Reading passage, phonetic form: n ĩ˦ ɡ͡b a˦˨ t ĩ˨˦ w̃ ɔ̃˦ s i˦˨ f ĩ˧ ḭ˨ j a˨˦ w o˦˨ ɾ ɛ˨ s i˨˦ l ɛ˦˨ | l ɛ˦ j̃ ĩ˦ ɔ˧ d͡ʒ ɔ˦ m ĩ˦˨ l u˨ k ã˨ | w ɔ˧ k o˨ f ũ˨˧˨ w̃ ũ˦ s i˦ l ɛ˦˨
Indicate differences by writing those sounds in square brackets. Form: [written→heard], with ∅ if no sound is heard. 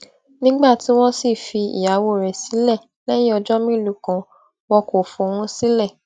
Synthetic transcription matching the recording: n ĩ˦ ɡ͡b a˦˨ t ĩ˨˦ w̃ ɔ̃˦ s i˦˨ f [ĩ˧→i˧] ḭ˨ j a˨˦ w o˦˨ ɾ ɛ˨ s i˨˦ l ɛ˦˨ | l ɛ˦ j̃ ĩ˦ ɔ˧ d͡ʒ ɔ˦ m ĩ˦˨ l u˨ k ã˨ | w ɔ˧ k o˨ f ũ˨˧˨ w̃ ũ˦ s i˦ l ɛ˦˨

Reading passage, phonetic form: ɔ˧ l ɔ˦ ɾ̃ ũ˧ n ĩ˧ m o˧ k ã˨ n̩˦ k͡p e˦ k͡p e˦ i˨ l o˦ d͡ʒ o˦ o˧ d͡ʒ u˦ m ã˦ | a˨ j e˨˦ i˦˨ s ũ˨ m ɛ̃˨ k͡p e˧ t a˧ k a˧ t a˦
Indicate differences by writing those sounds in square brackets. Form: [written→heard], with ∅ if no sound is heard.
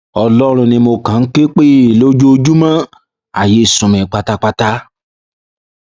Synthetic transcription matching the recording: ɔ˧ l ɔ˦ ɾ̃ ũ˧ n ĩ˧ m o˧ k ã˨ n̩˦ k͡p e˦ k͡p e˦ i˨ l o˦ d͡ʒ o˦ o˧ d͡ʒ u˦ m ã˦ | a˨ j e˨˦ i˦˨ s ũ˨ m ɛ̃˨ k͡p [e˧→a˧] t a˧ [k→k͡p] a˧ t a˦

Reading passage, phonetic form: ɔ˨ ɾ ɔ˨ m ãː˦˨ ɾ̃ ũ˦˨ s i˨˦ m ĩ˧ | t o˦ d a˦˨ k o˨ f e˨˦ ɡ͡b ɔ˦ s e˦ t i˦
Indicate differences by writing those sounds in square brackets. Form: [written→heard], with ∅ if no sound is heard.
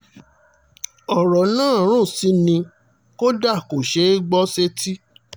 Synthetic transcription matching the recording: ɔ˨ ɾ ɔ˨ [m→n] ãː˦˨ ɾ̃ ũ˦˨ s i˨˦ [m→n] ĩ˧ | [t→k] o˦ d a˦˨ k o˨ [f→ʃ] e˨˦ ɡ͡b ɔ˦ s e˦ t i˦

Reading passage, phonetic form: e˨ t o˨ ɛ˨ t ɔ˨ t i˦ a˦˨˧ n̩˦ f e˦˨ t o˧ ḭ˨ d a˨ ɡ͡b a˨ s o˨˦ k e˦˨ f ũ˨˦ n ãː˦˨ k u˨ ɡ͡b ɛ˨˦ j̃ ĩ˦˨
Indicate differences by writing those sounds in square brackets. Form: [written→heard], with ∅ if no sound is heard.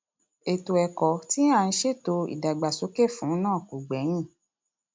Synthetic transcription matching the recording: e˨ t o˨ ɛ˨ [t→k] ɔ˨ t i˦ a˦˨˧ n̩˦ [f→ʃ] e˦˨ t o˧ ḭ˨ d a˨ ɡ͡b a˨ s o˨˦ k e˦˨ f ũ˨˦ n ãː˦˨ k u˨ ɡ͡b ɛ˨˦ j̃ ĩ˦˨

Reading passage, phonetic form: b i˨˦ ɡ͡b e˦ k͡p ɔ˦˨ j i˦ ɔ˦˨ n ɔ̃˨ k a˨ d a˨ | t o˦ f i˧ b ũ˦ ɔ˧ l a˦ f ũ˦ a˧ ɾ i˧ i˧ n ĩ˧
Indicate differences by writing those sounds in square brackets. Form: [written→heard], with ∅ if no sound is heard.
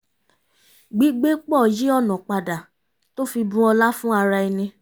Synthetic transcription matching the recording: [b→ɡ͡b] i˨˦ ɡ͡b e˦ k͡p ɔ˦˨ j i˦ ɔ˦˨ n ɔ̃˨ [k→k͡p] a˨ d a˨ | t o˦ f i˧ b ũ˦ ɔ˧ l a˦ f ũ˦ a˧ ɾ [i˧→a˧] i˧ n ĩ˧

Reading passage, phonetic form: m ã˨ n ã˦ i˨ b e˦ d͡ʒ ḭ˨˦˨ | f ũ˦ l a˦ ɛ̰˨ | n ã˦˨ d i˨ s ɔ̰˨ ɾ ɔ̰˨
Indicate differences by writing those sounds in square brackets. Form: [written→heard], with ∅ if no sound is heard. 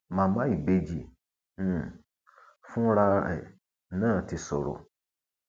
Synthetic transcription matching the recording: m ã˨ [n→m] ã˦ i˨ b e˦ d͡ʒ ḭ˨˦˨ | f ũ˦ [l→ɾ] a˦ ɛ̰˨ | n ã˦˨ [d→t] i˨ s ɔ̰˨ ɾ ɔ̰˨

